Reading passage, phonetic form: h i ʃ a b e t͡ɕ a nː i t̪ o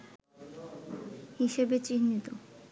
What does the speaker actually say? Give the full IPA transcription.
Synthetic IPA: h i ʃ e b e t͡ɕ i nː i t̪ o